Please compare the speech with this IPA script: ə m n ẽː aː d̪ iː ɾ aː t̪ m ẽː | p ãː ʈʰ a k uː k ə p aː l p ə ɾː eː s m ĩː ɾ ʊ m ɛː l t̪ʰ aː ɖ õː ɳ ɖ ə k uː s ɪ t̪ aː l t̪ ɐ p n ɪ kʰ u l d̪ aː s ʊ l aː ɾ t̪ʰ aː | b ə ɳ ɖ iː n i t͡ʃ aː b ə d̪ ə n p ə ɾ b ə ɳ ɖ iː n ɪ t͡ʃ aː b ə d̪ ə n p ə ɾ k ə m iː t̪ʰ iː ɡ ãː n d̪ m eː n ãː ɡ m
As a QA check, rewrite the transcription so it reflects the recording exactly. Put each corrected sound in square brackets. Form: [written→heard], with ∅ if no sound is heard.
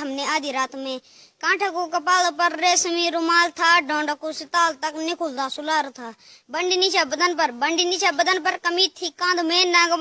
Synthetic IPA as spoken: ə m n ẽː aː d̪ iː ɾ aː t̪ m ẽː | [p→k] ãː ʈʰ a k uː k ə p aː l p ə ɾː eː s m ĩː ɾ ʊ m [ɛː→aː] l t̪ʰ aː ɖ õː ɳ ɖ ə k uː s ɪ t̪ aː l t̪ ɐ [p→k] n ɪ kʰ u l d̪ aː s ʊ l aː ɾ t̪ʰ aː | b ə ɳ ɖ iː n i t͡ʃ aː b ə d̪ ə n p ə ɾ b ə ɳ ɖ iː n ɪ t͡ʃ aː b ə d̪ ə n p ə ɾ k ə m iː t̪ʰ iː [ɡ→k] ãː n d̪ m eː n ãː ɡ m

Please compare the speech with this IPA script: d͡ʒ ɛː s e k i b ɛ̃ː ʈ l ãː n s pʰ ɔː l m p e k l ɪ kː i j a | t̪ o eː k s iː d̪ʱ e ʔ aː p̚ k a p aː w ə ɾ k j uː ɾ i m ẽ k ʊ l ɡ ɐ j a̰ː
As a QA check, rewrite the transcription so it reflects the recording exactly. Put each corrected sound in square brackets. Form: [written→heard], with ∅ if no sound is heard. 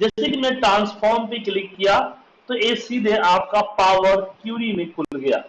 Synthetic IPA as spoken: d͡ʒ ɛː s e k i [b→m] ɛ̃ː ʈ [l→ɾ] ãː n s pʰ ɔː [l→ɾ] m p e k l ɪ kː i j a | t̪ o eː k s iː d̪ʱ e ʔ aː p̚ k a p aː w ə ɾ k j uː ɾ i m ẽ k ʊ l ɡ ɐ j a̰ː

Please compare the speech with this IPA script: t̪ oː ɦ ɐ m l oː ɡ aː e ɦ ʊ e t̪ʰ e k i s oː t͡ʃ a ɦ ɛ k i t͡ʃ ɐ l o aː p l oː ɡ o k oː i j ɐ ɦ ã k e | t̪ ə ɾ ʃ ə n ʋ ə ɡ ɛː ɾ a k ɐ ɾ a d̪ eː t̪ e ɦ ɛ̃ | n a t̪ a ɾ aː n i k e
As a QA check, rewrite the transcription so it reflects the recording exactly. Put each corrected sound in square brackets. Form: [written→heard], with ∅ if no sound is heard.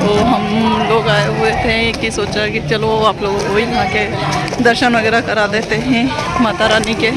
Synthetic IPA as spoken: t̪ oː ɦ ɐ m l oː ɡ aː e ɦ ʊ e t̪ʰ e k i s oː t͡ʃ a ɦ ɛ k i t͡ʃ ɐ l o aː p l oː ɡ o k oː i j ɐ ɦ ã k e | [t̪→d̪] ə ɾ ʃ ə n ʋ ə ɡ ɛː ɾ a k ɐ ɾ a d̪ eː t̪ e ɦ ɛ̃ | [n→m] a t̪ a ɾ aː n i k e

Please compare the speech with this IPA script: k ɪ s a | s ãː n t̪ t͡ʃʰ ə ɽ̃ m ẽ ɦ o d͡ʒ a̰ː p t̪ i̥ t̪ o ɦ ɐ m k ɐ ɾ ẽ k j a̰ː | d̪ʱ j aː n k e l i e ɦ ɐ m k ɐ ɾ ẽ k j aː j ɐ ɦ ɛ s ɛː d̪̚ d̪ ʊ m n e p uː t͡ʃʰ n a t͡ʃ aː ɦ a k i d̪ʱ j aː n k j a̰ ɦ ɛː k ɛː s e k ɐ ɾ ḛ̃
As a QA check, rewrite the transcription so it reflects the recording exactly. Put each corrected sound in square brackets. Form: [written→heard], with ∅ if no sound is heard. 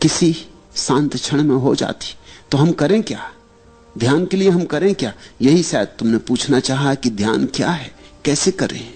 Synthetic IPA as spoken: k ɪ s [a→i] | s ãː n t̪ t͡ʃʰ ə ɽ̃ m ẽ ɦ o d͡ʒ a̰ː [p→∅] t̪ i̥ t̪ o ɦ ɐ m k ɐ ɾ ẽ k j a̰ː | d̪ʱ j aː n k e l i e ɦ ɐ m k ɐ ɾ ẽ k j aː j ɐ ɦ [ɛ→i] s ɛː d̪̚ [d̪→t̪] ʊ m n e p uː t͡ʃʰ n a t͡ʃ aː ɦ a k i d̪ʱ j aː n k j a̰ ɦ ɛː k ɛː s e k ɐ ɾ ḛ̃

